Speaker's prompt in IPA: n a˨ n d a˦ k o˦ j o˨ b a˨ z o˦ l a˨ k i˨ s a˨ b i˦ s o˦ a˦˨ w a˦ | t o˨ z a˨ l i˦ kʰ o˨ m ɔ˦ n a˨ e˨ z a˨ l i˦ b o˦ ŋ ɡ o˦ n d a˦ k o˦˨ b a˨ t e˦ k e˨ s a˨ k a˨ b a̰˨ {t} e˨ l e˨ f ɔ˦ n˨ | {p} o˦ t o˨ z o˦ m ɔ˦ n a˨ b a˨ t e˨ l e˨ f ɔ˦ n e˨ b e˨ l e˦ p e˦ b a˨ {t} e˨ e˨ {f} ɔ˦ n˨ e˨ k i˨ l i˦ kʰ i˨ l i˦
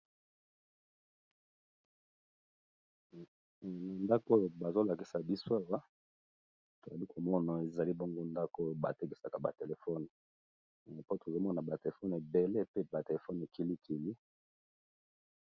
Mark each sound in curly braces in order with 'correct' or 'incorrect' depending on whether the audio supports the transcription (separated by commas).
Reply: correct, correct, correct, correct